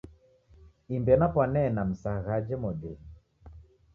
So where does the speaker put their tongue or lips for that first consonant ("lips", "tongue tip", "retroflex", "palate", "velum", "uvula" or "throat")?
lips